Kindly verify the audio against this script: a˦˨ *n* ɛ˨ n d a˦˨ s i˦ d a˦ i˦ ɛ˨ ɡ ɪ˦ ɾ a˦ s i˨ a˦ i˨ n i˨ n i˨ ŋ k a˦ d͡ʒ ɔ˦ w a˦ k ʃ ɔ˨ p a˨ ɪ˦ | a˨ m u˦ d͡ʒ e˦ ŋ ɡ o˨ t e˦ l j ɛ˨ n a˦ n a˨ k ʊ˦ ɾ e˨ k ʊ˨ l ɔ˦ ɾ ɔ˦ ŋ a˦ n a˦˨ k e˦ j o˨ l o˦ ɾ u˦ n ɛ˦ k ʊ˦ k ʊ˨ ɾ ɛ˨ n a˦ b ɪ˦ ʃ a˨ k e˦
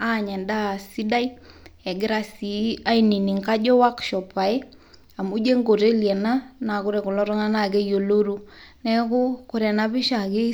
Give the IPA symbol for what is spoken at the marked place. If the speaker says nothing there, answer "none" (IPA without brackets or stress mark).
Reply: ɲ